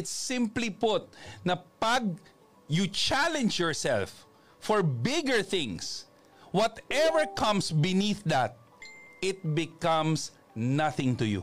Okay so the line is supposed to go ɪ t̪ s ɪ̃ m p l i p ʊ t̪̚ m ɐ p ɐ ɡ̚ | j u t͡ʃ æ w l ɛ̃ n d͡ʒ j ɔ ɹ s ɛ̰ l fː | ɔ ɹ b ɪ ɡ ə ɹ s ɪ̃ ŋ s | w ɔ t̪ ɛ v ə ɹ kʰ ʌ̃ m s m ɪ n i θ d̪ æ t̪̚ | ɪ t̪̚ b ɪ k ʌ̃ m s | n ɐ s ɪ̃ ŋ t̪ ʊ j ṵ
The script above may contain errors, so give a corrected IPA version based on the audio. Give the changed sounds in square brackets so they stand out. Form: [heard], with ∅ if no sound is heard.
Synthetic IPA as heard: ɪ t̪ s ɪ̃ m p l i p ʊ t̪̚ [n] ɐ p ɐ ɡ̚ | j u t͡ʃ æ [∅] l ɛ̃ n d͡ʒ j ɔ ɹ s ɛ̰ l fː | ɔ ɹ b ɪ ɡ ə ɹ [θ] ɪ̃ ŋ s | w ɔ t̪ ɛ v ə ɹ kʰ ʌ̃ m s [b] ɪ n i θ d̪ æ t̪̚ | ɪ t̪̚ b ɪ k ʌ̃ m s | n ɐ [θ] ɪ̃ ŋ t̪ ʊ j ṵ